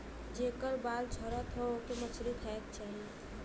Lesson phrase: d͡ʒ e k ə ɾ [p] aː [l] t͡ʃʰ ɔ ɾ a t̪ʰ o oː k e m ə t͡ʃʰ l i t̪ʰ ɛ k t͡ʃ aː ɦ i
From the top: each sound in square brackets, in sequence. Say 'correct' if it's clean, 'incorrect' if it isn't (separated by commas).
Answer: incorrect, correct